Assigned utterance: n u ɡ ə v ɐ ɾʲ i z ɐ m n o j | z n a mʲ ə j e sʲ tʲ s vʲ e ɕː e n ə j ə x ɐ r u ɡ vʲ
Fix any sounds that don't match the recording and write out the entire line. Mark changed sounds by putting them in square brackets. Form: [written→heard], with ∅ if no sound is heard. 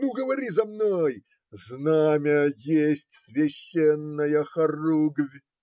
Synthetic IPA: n u ɡ ə v ɐ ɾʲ i z ɐ m n o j | z n a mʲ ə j e sʲ tʲ s vʲ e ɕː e [n→nː] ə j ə x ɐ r u ɡ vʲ